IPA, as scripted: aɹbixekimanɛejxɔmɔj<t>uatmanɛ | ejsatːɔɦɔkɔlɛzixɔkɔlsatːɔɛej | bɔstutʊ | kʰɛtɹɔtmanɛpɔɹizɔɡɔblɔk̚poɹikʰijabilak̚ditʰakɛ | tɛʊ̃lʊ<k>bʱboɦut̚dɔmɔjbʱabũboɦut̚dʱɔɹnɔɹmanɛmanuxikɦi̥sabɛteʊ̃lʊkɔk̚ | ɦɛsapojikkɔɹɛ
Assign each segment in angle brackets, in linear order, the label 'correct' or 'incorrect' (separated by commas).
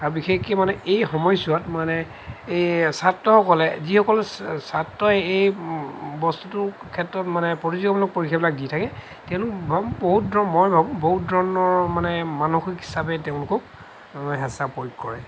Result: incorrect, correct